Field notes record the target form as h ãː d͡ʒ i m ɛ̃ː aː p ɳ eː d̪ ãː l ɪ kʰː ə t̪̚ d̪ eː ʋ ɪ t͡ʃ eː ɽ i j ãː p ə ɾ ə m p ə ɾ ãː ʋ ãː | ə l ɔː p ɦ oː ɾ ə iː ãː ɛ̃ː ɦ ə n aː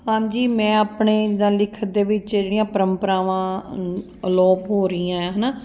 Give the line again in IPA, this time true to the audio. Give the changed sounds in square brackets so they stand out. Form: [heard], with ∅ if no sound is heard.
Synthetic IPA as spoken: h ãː d͡ʒ [iː] m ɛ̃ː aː p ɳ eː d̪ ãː l ɪ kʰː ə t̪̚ d̪ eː ʋ ɪ t͡ʃ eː ɽ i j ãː p ə ɾ ə m p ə ɾ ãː ʋ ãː | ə l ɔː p ɦ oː ɾ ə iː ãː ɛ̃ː ɦ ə n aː